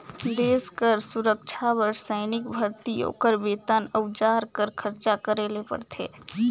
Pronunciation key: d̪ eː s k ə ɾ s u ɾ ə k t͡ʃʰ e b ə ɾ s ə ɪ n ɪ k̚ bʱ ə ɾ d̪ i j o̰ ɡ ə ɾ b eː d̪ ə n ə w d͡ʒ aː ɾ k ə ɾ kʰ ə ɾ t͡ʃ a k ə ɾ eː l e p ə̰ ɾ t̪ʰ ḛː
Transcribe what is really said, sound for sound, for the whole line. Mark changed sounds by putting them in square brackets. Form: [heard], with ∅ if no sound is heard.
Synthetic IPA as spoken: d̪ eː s k ə ɾ s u ɾ ə k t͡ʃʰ [a] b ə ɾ s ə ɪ n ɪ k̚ bʱ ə ɾ [t̪] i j o̰ [k] ə ɾ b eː [t̪] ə n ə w d͡ʒ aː ɾ k ə ɾ kʰ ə ɾ t͡ʃ a k ə ɾ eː l e p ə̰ ɾ t̪ʰ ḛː